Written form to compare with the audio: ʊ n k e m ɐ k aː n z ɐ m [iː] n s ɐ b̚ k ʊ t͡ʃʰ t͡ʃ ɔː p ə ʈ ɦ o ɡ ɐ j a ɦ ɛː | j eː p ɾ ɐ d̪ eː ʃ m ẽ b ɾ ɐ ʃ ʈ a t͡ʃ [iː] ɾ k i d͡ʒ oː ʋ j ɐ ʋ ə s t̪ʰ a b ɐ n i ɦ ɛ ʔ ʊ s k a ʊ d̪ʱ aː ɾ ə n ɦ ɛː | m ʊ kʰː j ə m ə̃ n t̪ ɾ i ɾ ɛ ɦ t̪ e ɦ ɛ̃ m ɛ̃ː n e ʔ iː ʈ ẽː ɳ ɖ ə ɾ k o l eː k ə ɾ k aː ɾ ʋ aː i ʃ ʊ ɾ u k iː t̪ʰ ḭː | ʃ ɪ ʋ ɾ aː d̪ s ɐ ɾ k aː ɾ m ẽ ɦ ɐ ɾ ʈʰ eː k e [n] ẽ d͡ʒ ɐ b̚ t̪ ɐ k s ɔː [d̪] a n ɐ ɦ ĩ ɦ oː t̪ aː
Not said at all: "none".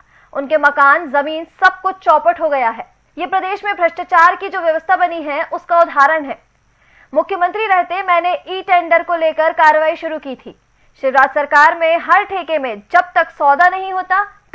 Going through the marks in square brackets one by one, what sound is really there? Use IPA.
iː, aː, m, d̪

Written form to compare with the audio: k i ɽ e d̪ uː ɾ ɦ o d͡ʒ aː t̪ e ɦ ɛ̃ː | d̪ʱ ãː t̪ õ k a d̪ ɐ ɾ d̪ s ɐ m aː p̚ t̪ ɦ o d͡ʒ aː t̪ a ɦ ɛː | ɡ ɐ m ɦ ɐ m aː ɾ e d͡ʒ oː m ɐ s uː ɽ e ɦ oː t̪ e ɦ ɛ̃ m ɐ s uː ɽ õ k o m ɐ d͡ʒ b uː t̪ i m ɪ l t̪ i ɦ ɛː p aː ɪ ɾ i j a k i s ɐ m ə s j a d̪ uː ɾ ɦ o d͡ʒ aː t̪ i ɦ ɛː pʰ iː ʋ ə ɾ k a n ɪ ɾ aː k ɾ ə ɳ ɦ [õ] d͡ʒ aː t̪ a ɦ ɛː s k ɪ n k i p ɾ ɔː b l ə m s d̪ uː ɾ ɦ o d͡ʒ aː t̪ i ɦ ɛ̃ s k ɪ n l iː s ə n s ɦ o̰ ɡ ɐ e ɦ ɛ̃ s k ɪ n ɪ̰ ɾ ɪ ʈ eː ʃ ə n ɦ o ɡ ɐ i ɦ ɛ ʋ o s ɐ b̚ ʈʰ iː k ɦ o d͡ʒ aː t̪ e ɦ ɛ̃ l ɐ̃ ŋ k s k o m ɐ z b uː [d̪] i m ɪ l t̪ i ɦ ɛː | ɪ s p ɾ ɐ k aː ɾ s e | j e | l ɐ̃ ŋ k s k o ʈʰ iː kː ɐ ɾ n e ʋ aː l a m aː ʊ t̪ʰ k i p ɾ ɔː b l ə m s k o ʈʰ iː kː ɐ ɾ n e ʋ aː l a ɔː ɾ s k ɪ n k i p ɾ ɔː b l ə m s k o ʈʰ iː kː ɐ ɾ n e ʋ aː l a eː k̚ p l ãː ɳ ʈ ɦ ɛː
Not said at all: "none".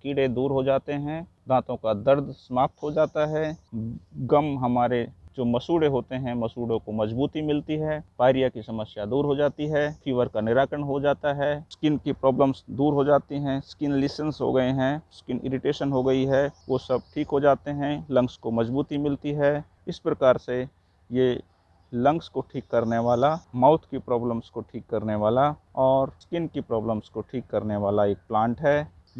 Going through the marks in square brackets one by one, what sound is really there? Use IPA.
o, t̪

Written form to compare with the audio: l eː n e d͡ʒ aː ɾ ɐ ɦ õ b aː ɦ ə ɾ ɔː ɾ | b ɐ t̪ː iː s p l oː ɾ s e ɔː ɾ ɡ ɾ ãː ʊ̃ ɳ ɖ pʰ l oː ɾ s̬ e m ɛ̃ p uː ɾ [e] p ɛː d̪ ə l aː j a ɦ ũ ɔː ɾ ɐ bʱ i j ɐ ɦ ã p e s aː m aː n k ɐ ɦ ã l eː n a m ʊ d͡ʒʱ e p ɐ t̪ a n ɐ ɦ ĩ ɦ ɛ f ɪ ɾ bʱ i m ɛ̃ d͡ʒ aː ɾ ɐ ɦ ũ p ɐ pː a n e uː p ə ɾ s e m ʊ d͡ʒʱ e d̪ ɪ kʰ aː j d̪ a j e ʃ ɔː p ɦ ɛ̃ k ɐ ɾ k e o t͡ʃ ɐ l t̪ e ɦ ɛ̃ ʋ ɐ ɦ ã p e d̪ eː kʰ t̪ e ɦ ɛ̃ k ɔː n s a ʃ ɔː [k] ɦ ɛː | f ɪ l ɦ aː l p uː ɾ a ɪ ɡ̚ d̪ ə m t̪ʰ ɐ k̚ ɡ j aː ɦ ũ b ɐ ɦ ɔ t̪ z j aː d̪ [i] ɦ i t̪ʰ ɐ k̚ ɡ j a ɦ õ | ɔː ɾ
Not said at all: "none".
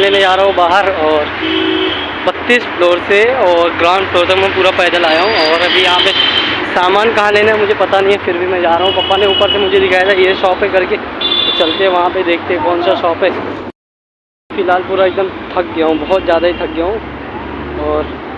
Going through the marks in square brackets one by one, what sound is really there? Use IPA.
a, p, a

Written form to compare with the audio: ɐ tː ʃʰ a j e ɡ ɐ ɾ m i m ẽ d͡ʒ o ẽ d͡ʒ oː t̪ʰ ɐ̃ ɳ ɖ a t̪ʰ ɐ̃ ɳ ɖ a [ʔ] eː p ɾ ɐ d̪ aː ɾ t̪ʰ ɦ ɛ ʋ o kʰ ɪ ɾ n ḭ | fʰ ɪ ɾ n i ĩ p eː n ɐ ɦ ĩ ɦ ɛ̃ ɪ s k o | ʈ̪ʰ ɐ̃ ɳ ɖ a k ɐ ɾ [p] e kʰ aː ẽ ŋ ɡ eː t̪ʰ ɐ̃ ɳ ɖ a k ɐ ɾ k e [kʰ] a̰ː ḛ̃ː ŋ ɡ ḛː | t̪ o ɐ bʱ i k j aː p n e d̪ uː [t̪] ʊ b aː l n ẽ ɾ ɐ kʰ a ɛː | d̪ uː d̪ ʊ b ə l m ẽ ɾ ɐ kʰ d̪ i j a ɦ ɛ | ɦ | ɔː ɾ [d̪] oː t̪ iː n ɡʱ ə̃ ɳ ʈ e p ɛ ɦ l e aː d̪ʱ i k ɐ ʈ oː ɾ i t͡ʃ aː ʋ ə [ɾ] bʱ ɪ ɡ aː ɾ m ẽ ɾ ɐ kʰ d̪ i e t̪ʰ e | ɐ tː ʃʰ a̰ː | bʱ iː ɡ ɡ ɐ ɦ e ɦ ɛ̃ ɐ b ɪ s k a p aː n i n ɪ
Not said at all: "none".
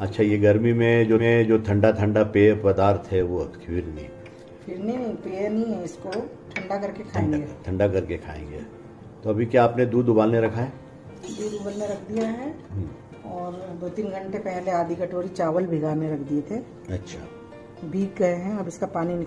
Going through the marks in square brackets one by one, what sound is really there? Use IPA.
p, k, kʰ, d̪, d̪, l

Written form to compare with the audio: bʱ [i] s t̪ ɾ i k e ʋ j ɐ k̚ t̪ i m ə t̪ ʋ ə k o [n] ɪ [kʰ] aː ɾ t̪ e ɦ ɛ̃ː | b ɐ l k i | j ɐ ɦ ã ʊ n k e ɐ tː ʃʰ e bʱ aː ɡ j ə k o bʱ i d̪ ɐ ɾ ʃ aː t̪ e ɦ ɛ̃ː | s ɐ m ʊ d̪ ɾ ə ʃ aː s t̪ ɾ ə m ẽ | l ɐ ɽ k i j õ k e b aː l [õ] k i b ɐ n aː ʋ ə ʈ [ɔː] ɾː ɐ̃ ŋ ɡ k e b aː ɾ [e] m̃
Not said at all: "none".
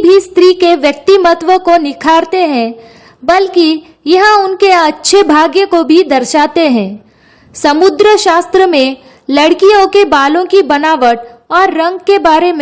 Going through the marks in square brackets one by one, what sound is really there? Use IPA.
i, n, kʰ, õ, ɔː, e

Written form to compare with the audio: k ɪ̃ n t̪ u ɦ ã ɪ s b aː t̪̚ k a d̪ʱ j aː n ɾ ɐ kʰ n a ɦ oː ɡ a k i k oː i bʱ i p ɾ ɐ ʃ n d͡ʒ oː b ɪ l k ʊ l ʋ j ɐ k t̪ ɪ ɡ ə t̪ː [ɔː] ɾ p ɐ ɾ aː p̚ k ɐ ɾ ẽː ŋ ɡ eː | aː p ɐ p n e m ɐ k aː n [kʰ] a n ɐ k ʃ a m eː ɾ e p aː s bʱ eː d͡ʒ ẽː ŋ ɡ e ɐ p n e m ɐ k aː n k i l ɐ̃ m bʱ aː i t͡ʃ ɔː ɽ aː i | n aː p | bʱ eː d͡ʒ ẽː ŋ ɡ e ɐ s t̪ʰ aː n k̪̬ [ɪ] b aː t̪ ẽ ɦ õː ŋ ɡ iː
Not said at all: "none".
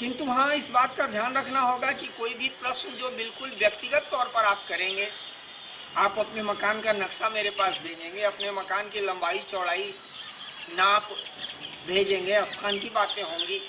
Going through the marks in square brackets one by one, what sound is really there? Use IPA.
ɔː, k, i

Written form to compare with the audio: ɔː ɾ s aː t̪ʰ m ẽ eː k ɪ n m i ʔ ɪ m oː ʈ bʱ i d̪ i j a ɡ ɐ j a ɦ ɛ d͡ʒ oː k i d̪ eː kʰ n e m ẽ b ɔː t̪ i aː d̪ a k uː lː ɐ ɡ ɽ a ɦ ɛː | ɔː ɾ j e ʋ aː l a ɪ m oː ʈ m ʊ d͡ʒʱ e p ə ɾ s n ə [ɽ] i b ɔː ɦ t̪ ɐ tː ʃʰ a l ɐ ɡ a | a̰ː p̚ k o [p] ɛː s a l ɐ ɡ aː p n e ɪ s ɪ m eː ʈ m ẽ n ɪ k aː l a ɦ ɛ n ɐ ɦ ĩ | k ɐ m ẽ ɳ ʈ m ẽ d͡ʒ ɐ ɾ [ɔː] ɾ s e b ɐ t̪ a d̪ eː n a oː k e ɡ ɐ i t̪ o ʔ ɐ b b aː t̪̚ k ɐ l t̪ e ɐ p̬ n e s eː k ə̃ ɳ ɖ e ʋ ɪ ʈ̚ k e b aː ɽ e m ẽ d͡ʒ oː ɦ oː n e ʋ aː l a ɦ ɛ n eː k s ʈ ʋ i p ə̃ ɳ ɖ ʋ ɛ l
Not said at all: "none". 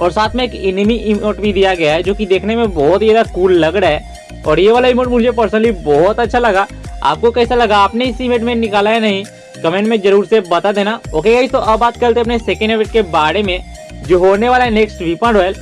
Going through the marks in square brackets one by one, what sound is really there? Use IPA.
l, k, uː

